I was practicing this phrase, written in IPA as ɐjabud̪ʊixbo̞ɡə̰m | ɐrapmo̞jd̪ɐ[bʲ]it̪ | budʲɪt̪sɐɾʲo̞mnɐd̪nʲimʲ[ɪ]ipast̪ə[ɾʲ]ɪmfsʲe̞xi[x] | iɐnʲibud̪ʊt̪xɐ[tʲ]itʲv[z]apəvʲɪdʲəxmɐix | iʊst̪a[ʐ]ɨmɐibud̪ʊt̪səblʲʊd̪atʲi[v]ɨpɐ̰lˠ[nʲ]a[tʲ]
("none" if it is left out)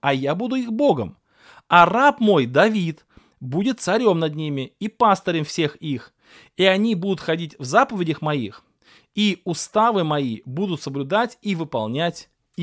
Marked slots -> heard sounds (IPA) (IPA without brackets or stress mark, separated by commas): vʲ, ɪ, ɾʲ, x, dʲ, z, v, v, nʲ, tʲ